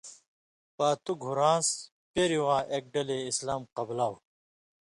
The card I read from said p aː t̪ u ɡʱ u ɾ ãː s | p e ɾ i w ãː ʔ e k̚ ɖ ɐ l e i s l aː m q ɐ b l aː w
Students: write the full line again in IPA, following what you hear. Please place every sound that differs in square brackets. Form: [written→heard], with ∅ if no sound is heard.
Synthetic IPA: p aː t̪ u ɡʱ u ɾ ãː s | p e ɾ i w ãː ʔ e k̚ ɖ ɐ l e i s l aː m q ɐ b l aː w